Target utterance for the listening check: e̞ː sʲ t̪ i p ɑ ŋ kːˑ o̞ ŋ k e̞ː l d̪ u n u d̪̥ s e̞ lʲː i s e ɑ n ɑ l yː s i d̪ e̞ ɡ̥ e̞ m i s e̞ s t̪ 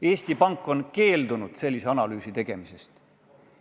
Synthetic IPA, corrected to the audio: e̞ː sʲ t̪ i p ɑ ŋ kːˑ o̞ n k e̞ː l d̪ u n u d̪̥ s e̞ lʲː i s e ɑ n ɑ l yː s i t̪ e̞ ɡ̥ e̞ m i s e̞ s t̪